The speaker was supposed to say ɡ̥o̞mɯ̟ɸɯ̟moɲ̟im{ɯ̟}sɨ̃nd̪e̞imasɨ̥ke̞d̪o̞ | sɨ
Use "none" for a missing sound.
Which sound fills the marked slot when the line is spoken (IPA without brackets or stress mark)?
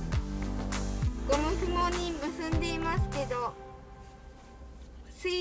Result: ɯ̟